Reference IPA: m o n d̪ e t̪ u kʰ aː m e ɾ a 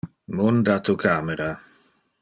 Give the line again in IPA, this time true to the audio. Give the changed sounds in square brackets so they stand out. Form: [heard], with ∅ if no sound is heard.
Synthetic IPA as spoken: m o n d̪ [a] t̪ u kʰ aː m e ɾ a